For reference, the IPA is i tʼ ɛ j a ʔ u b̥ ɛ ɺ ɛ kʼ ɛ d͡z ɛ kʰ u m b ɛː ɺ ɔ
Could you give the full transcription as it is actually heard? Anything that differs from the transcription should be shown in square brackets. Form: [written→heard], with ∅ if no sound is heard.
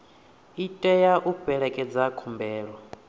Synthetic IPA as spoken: i tʼ ɛ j a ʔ u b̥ ɛ ɺ ɛ kʼ ɛ d͡z [ɛ→a] kʰ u m b ɛː ɺ ɔ